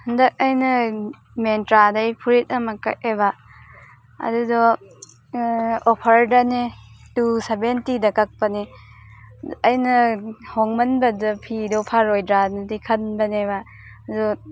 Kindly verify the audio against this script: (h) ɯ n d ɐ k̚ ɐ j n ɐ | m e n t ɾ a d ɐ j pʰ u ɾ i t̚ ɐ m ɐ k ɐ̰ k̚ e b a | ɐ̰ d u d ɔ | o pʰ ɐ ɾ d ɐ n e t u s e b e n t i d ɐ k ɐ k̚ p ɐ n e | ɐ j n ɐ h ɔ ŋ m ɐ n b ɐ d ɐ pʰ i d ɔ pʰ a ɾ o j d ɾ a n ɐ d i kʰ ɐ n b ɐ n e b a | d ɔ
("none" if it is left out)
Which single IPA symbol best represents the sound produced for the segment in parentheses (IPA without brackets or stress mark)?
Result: h